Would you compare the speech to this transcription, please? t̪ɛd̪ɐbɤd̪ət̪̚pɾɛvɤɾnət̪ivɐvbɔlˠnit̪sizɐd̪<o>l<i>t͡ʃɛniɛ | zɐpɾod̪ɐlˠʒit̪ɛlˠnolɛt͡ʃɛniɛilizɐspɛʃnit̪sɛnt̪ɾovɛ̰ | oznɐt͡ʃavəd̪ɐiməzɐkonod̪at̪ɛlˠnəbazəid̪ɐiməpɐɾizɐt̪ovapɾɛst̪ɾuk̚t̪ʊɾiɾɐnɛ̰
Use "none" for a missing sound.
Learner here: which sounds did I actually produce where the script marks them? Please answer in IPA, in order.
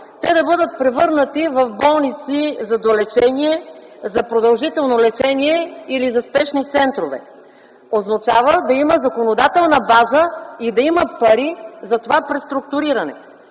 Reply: o, ɛ

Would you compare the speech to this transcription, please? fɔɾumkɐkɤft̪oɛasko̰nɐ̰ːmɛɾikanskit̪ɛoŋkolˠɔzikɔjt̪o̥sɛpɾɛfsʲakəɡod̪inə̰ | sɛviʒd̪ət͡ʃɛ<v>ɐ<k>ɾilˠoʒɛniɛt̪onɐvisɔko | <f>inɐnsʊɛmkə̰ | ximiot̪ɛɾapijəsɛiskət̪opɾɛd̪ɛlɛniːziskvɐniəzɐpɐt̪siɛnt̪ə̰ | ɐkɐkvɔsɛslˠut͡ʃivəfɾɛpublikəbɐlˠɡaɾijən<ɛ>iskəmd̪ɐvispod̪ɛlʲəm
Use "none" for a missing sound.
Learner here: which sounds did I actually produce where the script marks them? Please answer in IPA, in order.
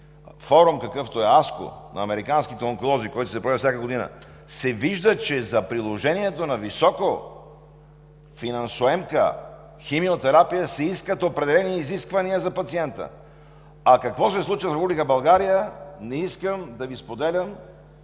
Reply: z, p, f, ɛ

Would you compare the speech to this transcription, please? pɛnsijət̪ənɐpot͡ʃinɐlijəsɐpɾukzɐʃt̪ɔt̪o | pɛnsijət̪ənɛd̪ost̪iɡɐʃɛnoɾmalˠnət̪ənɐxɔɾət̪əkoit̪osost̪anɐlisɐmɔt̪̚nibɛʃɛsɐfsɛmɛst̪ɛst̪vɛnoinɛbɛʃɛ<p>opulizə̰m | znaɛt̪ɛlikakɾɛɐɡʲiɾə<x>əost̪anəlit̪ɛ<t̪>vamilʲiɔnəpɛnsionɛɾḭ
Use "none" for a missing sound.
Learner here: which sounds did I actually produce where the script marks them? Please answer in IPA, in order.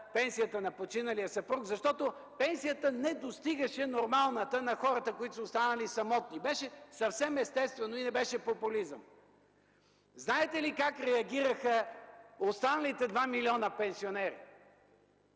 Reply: p, x, d̪

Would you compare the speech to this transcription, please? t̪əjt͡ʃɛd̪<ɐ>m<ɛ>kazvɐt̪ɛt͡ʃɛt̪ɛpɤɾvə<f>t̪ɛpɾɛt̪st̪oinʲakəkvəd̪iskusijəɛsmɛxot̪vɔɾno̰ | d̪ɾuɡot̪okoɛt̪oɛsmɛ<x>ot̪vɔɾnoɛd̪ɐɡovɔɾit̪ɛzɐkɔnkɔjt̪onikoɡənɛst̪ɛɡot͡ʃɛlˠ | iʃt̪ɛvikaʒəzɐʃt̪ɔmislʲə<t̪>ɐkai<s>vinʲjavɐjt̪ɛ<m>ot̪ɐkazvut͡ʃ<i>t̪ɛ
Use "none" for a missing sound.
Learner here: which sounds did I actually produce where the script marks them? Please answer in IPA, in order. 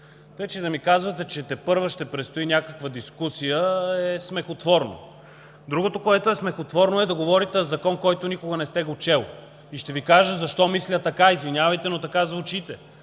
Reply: ɐ, i, ʃ, x, t̪, z, n, i

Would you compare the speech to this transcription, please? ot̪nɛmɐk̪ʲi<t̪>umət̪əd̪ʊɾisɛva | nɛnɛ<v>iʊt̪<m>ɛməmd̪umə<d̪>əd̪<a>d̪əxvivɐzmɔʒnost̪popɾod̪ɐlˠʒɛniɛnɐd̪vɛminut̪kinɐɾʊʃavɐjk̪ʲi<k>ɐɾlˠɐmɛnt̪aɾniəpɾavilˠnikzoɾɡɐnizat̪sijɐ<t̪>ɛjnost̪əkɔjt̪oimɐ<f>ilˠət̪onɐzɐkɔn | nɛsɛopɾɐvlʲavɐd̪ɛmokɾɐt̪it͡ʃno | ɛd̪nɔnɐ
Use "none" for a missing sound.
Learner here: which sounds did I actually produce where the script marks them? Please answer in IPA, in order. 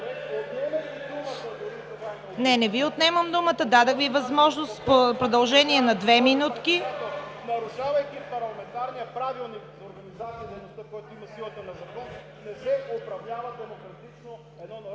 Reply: d̪, v, n, t̪, a, p, d̪, s

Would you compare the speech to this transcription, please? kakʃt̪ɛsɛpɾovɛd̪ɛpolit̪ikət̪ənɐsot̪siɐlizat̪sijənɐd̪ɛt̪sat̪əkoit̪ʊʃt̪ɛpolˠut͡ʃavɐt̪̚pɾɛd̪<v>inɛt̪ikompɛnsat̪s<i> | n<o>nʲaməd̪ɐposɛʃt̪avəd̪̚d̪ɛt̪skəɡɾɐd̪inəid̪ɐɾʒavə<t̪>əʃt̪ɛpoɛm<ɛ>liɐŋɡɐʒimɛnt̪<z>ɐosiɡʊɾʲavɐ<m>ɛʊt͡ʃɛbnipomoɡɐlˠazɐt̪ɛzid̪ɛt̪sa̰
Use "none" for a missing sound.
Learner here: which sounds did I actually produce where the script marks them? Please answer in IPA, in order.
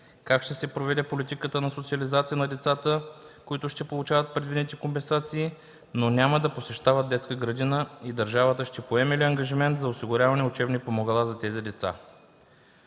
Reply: v, iː, o, t̪, ɛ, z, n

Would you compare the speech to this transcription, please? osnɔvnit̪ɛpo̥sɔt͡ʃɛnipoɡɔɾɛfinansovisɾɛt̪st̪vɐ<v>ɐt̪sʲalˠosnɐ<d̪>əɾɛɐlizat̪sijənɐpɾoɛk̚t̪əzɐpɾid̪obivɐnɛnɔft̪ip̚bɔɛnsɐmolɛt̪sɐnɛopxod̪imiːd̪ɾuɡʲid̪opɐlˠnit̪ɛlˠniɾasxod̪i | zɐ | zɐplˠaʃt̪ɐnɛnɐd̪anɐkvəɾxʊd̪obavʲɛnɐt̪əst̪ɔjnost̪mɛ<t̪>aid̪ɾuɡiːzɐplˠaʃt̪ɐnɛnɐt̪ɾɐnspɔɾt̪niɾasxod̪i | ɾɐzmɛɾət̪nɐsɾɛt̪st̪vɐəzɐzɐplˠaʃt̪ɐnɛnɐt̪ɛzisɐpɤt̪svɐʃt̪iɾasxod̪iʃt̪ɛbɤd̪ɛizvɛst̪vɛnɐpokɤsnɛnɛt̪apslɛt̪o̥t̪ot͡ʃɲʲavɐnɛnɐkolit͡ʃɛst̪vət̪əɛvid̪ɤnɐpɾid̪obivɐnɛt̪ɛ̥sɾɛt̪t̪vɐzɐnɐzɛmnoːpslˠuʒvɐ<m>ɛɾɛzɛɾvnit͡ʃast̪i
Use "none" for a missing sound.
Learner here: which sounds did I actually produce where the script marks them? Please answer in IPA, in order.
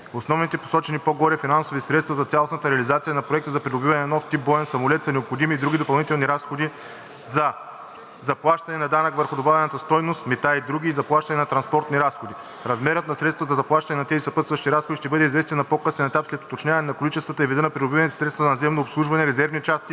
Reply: z, t̪, t̪, n

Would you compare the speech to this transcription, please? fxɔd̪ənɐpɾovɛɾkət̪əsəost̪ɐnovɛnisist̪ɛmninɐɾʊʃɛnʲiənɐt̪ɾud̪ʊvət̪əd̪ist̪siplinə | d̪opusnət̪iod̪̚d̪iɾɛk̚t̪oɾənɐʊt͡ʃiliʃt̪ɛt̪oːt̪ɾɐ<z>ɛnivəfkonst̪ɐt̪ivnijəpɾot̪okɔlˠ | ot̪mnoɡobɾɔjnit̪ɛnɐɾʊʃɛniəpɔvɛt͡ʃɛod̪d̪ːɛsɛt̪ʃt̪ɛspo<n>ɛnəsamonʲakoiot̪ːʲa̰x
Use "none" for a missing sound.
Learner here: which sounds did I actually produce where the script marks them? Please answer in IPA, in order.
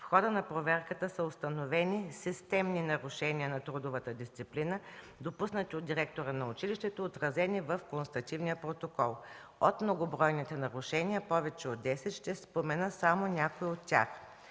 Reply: z, m

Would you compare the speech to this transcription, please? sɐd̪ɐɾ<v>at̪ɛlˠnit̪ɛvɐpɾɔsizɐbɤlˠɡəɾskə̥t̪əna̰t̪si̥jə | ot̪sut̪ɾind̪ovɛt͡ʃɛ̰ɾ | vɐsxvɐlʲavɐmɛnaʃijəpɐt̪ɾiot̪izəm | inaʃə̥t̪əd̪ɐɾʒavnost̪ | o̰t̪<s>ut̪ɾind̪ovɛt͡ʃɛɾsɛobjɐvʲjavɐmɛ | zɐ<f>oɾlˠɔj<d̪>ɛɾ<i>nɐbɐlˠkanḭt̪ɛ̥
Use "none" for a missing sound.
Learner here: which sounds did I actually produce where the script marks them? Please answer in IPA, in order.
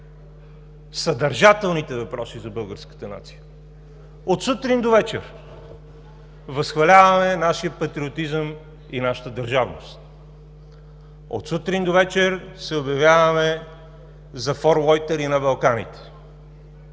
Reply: ʒ, s, f, t̪, i

